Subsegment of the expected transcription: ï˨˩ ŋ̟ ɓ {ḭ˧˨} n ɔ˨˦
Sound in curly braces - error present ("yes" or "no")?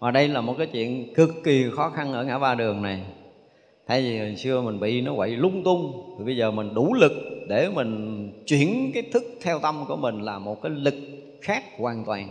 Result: no